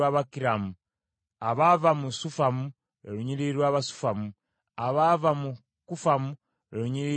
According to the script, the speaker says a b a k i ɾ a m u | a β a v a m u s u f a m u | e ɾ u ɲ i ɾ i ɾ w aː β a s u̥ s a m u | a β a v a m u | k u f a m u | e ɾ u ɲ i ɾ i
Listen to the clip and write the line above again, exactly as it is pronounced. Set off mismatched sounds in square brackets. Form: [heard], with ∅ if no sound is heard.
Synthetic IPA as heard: a [β] a k i ɾ a m u | a β a v a m u s u f a m u | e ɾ u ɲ i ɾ i ɾ w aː β a s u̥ [f] a m u | a β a v a m u | k u f a m u | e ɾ u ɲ i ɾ i